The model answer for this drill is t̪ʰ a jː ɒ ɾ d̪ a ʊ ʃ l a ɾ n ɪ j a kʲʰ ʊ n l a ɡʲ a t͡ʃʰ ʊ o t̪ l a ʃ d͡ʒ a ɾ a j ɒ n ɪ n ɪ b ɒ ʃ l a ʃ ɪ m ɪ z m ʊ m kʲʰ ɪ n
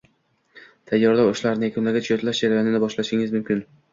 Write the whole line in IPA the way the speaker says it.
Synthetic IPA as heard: t̪ʰ a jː ɒ ɾ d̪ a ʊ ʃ l a ɾ n ɪ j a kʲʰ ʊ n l a ɡʲ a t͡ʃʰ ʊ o t̪ l a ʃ d͡ʒ a ɾ a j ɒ n ɪ n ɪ b ɒ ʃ l a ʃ ɪ ŋ ɪ z m ʊ m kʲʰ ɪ n